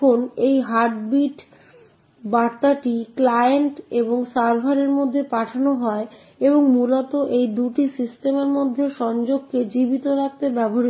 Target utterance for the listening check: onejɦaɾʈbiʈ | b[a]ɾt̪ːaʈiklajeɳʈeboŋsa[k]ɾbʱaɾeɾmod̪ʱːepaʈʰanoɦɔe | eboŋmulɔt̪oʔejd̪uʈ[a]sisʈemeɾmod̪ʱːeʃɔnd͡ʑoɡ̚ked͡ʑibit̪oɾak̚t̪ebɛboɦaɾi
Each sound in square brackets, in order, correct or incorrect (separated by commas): correct, incorrect, incorrect